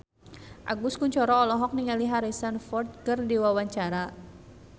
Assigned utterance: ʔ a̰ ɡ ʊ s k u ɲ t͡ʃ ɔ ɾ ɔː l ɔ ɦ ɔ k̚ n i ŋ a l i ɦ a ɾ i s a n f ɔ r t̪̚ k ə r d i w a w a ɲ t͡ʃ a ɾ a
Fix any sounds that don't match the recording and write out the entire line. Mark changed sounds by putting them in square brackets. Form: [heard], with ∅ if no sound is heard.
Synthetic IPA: ʔ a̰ ɡ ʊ s k u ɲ t͡ʃ ɔ ɾ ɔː l ɔ ɦ ɔ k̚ n i ŋ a l i ɦ a ɾ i s a n f ɔ r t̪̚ k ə r d i w a w a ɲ t͡ʃ a ɾ a